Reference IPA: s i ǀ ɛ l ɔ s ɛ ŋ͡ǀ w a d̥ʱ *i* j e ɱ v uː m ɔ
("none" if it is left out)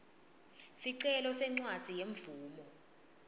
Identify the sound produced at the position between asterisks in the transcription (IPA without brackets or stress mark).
i